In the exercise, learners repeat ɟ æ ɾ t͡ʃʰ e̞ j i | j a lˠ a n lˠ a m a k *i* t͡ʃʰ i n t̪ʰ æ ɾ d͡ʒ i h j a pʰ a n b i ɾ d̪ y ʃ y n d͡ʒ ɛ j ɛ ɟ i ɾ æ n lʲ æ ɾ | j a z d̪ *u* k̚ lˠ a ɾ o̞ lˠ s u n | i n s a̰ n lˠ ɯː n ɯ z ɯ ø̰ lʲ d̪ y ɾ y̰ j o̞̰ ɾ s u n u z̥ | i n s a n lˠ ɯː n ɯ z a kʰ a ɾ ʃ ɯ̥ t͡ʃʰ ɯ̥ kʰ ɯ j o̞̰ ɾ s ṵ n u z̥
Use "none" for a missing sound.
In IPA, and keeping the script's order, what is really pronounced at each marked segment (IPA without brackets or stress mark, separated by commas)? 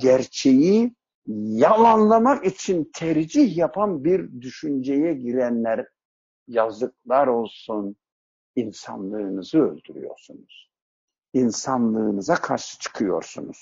i, ɯ